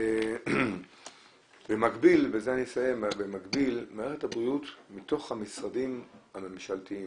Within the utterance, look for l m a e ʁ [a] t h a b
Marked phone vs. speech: incorrect: e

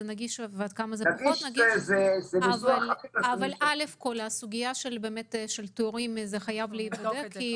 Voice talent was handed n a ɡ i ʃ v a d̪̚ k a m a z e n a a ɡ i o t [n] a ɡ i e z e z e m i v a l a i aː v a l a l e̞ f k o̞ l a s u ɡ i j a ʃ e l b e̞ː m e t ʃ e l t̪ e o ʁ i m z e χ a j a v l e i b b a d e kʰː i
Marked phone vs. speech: correct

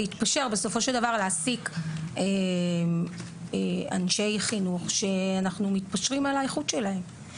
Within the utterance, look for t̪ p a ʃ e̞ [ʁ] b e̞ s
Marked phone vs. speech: correct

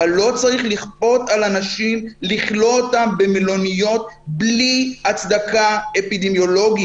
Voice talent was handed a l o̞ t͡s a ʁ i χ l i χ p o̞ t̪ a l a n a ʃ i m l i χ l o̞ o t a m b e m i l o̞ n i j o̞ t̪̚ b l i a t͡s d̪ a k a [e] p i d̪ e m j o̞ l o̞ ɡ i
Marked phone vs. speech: correct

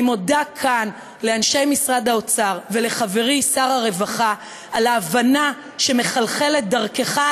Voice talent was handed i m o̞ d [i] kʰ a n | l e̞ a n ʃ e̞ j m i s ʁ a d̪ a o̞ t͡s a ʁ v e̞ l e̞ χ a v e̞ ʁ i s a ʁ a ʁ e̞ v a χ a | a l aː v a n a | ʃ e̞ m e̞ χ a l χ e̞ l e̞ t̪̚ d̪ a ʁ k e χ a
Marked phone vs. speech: incorrect: a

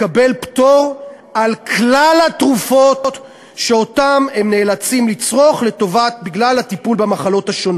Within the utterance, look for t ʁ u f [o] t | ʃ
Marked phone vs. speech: correct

